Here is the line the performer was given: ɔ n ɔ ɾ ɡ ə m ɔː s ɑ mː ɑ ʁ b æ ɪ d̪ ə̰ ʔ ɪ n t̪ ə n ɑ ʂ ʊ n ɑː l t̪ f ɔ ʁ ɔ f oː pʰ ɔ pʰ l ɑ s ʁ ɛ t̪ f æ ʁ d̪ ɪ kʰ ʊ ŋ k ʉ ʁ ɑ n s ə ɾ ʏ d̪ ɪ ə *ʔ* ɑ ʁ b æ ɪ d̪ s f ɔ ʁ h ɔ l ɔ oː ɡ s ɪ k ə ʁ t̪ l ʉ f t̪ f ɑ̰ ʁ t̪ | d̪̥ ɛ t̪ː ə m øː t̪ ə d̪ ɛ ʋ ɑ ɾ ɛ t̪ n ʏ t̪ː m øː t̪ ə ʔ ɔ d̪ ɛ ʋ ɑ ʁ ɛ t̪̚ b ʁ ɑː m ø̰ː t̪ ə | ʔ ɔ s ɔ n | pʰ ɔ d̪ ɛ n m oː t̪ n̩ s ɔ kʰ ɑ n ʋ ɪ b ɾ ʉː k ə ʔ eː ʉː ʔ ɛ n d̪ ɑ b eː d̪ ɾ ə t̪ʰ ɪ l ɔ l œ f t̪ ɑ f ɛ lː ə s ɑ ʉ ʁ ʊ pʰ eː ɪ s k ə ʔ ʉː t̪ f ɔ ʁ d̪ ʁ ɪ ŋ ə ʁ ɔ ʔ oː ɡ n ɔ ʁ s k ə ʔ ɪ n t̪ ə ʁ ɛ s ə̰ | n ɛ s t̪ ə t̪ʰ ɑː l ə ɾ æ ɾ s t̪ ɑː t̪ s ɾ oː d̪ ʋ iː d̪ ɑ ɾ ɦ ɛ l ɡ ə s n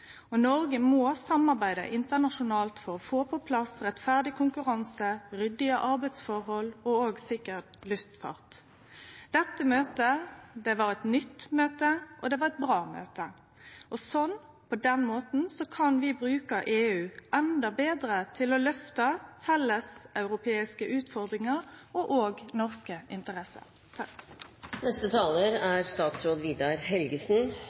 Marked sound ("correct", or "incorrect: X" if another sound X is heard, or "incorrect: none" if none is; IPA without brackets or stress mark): correct